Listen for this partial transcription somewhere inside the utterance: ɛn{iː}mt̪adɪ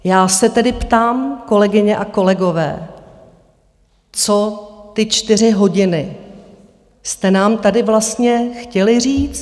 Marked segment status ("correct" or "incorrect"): incorrect